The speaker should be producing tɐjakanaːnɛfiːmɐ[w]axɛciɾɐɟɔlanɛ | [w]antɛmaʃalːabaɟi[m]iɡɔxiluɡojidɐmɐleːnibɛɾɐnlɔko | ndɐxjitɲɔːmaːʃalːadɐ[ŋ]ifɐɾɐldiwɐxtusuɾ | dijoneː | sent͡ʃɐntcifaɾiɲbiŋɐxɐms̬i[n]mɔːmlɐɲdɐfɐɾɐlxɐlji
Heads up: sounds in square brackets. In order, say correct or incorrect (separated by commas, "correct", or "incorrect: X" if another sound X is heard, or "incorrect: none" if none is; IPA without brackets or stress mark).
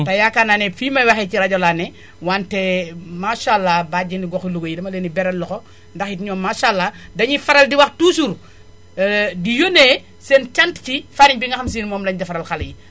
correct, correct, incorrect: n, incorrect: ɲ, correct